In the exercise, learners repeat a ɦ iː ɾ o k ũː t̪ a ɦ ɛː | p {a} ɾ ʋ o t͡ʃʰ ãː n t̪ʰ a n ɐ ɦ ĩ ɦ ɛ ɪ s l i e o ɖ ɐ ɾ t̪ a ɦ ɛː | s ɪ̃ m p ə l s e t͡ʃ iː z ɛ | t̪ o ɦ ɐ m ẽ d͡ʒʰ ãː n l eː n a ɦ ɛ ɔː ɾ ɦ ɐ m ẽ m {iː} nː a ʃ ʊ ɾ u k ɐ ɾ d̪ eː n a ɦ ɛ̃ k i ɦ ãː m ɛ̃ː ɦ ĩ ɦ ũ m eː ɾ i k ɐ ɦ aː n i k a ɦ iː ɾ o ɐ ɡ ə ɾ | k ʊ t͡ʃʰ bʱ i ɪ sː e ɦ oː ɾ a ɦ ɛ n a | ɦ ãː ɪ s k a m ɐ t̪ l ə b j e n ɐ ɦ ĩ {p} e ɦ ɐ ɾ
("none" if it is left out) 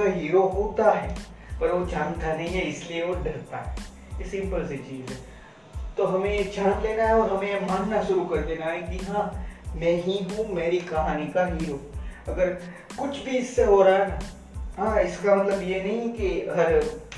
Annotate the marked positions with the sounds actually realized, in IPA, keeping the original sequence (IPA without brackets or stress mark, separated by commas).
ɐ, aː, k